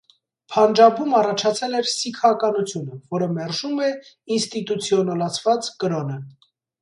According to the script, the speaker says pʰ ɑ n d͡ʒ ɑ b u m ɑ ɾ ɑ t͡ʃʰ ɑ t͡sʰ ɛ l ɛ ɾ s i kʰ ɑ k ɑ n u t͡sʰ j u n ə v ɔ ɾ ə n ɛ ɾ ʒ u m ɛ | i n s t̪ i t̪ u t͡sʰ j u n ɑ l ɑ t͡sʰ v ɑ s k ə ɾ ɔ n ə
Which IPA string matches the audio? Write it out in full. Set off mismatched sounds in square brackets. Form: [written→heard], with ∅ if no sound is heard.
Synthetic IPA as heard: pʰ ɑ n d͡ʒ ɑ b u m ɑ [ɾ→r] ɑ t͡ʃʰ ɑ t͡sʰ ɛ l ɛ ɾ s i kʰ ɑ k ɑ n u t͡sʰ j u n ə v ɔ ɾ ə [n→m] ɛ ɾ ʒ u m ɛ | i n s t̪ i t̪ u t͡sʰ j [u→ɔ] n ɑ l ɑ t͡sʰ v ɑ [s→t͡s] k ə ɾ ɔ n ə

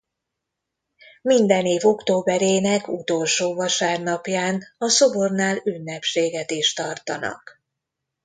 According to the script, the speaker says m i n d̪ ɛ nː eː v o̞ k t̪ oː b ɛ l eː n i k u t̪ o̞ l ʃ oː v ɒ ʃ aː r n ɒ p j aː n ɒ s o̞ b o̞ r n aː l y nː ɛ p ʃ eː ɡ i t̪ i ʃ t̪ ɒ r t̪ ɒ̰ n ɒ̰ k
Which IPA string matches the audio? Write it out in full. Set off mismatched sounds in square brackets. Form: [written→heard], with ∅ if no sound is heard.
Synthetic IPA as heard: m i n d̪ ɛ [nː→n] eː v o̞ k t̪ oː b ɛ [l→ɾ] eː n [i→ɛ] k u t̪ o̞ l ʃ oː v ɒ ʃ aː r n ɒ p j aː n ɒ s o̞ b o̞ r n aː l y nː ɛ p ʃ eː ɡ [i→ɛ] t̪ i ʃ t̪ ɒ r t̪ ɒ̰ n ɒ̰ k

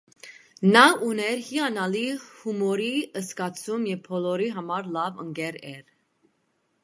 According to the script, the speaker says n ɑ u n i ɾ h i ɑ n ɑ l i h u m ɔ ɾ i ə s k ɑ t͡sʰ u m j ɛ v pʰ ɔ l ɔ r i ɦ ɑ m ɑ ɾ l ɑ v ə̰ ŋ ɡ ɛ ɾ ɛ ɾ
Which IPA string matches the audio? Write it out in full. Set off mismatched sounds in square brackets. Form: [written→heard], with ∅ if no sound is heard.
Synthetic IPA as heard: n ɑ u n [i→ɛ] ɾ h i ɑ n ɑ l i h u m ɔ ɾ i ə s k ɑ t͡sʰ u m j ɛ v pʰ ɔ l ɔ [r→ɾ] i ɦ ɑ m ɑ ɾ l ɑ v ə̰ ŋ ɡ ɛ ɾ ɛ ɾ

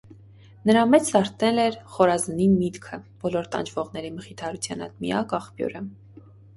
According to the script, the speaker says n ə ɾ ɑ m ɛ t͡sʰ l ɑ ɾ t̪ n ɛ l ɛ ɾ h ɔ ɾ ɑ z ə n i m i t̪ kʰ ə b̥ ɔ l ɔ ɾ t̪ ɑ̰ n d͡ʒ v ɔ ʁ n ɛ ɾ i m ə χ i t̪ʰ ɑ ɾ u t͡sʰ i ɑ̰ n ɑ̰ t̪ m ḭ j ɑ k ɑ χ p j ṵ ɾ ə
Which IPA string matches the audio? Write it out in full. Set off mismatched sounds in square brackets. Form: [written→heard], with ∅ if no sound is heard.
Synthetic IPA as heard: n ə ɾ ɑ m ɛ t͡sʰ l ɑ ɾ t̪ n ɛ l ɛ ɾ [h→χ] ɔ ɾ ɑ z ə n i m i t̪ kʰ ə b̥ ɔ l ɔ ɾ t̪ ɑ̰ n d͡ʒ v ɔ ʁ n ɛ ɾ i m ə χ i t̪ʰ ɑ ɾ u t͡sʰ [i→j] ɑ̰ n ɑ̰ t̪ m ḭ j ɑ k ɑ χ p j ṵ ɾ ə

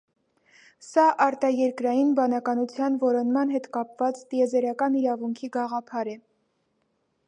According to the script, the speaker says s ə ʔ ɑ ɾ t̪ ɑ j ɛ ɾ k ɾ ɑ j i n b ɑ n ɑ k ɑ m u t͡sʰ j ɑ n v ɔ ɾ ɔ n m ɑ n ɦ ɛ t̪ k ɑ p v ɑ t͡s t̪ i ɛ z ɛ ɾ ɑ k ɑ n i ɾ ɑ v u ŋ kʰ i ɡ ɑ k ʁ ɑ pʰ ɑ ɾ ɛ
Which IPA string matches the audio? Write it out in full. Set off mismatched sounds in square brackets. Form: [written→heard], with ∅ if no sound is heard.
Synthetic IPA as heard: s [ə→ɑ] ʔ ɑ ɾ t̪ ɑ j ɛ ɾ k ɾ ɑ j i n b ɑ n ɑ k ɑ [m→n] u t͡sʰ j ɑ n v ɔ ɾ ɔ n m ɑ n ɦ ɛ t̪ k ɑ p v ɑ t͡s t̪ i ɛ z ɛ ɾ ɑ k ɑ n i ɾ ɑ v u ŋ kʰ i ɡ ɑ [k→∅] ʁ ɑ pʰ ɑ ɾ ɛ

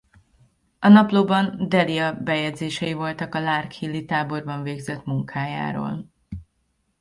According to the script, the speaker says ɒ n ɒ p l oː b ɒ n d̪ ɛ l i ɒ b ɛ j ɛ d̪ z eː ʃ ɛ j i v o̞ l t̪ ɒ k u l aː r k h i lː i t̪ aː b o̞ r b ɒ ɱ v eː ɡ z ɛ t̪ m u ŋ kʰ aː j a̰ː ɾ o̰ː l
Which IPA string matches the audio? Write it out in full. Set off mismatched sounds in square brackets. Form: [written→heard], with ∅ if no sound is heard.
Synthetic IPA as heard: ɒ n ɒ p l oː b ɒ n d̪ ɛ l i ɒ b ɛ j ɛ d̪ z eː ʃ ɛ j i v o̞ l t̪ ɒ k [u→ɒ] l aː r k h i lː i t̪ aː b o̞ r b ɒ ɱ v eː ɡ z ɛ t̪ m u ŋ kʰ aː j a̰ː ɾ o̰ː l

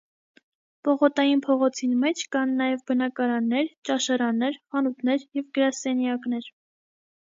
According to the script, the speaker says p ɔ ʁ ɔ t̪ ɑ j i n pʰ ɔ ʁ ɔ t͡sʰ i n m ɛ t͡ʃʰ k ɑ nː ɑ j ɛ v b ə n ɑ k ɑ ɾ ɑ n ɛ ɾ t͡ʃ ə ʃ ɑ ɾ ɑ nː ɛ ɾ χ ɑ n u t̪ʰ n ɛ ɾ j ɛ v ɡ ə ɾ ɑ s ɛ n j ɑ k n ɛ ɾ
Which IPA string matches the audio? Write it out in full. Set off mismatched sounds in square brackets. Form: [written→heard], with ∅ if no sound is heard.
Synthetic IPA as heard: p ɔ ʁ ɔ t̪ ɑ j i n pʰ ɔ ʁ ɔ t͡sʰ i n m ɛ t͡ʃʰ k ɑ nː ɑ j ɛ v b ə n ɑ k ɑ ɾ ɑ [n→nː] ɛ ɾ t͡ʃ [ə→ɑ] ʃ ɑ ɾ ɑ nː ɛ ɾ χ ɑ n u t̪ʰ n ɛ ɾ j ɛ v ɡ ə ɾ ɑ s ɛ n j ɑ k n ɛ ɾ

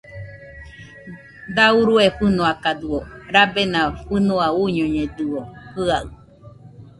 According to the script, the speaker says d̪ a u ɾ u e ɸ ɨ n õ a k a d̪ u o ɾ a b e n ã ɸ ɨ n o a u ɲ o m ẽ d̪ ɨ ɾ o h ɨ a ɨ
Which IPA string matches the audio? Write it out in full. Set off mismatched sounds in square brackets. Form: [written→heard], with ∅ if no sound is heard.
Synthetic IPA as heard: d̪ a u ɾ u e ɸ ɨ n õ a k a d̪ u o ɾ a b e n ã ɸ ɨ n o a u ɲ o [m→ɲ] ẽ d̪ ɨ [ɾ→∅] o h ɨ a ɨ

